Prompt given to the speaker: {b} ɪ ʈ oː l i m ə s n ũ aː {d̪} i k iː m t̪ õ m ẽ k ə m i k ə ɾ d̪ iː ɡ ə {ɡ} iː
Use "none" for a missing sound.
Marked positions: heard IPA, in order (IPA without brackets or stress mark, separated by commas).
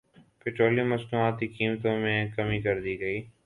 p, t̪, none